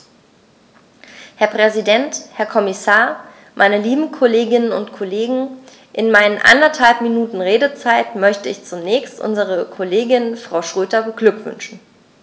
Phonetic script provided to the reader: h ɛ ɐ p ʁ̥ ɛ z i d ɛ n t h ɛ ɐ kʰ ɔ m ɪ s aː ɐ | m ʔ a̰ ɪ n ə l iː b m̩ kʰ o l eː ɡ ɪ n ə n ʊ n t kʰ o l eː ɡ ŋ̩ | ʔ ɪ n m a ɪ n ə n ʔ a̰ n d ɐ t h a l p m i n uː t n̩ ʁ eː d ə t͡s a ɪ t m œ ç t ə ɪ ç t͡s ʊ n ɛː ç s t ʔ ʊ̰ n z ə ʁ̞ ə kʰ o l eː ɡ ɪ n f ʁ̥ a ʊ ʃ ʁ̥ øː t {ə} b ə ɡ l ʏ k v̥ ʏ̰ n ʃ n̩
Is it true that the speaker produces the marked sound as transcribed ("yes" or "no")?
no